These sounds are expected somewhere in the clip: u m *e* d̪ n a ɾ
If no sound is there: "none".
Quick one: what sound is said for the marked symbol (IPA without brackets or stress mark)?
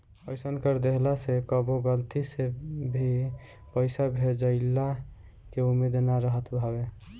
e